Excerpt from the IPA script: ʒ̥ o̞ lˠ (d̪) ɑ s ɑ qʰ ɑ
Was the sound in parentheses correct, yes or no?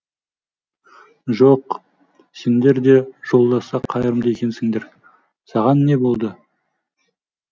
yes